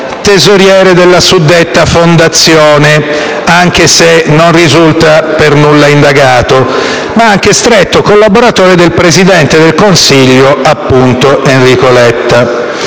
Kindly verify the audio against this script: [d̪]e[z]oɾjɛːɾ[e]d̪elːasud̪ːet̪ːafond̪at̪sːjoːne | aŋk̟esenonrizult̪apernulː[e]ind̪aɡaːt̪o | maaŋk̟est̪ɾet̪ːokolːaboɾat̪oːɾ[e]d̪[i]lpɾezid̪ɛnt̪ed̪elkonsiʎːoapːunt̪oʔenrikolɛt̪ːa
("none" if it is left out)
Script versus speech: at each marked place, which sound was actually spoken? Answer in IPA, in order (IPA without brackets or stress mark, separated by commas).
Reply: t̪, z, e, a, e, e